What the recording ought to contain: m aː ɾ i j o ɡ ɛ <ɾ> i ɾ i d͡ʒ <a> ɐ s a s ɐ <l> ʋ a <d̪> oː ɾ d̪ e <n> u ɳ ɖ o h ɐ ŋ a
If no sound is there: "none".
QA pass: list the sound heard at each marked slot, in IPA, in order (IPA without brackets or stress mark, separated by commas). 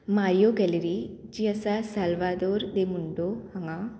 l, i, l, d̪, m